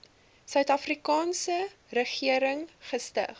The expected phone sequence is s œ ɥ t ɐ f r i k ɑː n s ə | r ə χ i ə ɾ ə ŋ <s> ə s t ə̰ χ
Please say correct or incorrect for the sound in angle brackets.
incorrect